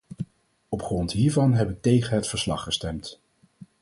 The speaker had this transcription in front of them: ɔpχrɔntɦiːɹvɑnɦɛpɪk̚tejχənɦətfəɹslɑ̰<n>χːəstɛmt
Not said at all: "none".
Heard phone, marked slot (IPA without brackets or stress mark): none